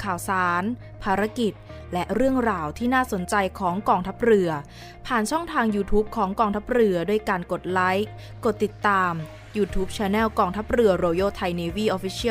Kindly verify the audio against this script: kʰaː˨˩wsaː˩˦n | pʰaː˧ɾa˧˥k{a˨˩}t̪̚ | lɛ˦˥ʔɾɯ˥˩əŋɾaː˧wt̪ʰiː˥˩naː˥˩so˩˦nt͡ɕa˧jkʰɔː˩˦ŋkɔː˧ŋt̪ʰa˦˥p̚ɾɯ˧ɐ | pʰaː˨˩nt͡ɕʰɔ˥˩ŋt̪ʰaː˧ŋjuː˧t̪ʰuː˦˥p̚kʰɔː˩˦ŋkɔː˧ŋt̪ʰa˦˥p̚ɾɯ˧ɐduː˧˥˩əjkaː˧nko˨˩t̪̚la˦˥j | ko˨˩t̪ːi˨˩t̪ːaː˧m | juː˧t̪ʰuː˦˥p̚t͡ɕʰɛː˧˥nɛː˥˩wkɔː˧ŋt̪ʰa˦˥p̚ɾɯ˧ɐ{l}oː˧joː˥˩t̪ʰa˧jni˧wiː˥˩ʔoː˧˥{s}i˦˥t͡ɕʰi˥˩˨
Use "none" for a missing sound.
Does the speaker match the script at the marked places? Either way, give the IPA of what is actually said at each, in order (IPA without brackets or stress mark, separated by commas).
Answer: i˨˩, ɾ, f